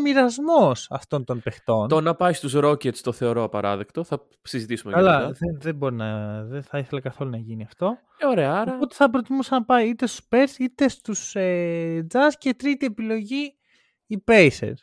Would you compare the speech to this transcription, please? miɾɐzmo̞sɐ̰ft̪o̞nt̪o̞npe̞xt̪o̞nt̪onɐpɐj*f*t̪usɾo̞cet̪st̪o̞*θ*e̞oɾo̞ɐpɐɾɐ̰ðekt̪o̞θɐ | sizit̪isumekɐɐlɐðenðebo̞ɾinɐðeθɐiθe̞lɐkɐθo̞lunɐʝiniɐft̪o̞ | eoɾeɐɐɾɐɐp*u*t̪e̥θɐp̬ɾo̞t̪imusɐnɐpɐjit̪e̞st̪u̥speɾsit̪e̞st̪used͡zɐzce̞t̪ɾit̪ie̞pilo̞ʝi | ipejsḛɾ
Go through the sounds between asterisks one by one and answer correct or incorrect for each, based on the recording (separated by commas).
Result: incorrect, correct, incorrect